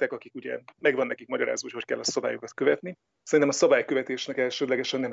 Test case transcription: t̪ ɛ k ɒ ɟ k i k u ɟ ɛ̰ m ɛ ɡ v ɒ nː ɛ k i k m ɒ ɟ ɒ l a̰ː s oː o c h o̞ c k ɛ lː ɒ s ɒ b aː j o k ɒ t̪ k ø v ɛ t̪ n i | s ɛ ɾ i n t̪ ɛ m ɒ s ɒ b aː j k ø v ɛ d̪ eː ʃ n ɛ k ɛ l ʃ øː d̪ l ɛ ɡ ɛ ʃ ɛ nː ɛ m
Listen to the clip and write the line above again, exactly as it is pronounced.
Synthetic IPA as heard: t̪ ɛ k ɒ k i k u ɟ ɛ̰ m ɛ ɡ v ɒ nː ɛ k i k m ɒ ɟ ɒ ɾ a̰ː z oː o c h o̞ c k ɛ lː ɒ s ɒ b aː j o k ɒ t̪ k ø v ɛ t̪ n i | s ɛ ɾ i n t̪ ɛ m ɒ s ɒ b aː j k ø v ɛ t̪ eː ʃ n ɛ k ɛ l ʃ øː d̪ l ɛ ɡ ɛ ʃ ɛ nː ɛ m